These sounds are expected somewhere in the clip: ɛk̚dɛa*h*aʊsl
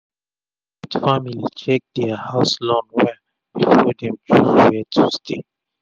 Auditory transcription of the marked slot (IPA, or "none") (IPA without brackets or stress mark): h